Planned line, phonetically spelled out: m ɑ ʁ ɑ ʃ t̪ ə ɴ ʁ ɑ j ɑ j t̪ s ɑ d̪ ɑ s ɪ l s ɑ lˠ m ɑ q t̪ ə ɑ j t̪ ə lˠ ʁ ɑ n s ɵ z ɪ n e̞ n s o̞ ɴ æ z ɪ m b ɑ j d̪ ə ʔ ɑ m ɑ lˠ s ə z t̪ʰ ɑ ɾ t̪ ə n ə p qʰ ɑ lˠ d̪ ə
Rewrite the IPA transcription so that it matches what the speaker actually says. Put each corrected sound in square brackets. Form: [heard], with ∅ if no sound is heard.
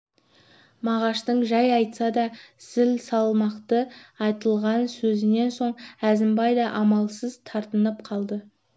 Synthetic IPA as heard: m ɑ ʁ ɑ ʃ t̪ ə ɴ [ʒ] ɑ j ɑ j t̪ s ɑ d̪ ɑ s ɪ l s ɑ lˠ m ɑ q t̪ ə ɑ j t̪ ə lˠ ʁ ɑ n s ɵ z ɪ n e̞ n s o̞ ɴ æ z ɪ m b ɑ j d̪ [ɑ] ʔ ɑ m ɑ lˠ s ə z t̪ʰ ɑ ɾ t̪ ə n ə p qʰ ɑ lˠ d̪ ə